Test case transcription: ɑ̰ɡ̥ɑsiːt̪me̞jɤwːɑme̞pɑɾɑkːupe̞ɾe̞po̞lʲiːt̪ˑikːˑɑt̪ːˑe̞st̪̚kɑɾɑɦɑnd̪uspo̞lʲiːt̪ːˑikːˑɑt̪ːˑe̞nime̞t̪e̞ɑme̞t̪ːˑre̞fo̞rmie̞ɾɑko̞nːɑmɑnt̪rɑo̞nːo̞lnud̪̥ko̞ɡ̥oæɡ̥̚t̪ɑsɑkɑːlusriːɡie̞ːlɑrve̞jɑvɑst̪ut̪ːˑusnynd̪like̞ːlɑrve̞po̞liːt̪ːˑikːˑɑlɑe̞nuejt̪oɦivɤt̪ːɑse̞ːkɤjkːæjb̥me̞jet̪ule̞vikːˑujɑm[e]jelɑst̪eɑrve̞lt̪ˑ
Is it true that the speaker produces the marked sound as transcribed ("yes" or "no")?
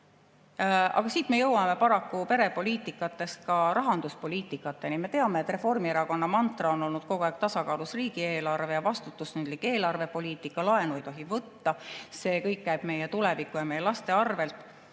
yes